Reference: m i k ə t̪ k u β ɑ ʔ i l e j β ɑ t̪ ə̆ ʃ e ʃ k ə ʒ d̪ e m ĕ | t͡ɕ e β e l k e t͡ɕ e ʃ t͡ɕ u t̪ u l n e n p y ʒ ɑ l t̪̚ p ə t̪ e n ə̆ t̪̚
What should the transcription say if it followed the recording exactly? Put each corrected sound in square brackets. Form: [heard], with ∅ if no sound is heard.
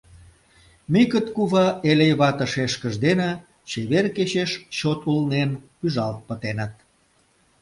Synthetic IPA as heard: m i k ə t̪ k u β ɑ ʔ [e] l e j β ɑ t̪ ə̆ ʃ e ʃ k ə ʒ d̪ e [n] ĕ | t͡ɕ e β e [r] k e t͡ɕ e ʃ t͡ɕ [o] t̪ u l n e n p y ʒ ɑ l t̪̚ p ə t̪ e n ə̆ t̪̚

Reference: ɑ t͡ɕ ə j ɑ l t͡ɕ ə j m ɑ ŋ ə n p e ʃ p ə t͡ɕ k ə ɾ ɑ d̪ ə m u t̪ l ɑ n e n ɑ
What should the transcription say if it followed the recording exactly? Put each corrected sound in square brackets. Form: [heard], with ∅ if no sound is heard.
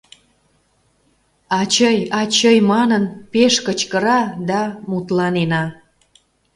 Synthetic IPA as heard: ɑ t͡ɕ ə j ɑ [∅] t͡ɕ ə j m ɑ [n] ə n p e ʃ [k] ə t͡ɕ k ə ɾ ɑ d̪ [ɑ] m u t̪ l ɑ n e n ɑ

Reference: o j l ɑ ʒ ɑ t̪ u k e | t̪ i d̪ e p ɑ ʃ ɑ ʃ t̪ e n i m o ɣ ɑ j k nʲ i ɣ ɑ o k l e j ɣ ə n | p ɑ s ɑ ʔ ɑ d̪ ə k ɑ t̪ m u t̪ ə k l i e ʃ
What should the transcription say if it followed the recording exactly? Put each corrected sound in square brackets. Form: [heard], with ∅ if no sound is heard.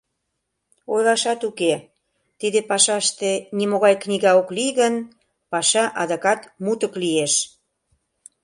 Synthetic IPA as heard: o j l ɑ [ʃ] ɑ t̪ u k e | t̪ i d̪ e p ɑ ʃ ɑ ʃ t̪ e n i m o ɣ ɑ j k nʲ i ɣ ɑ o k l [i] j ɣ ə n | p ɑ [ʃ] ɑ ʔ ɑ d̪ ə k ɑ t̪ m u t̪ ə k l i e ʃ

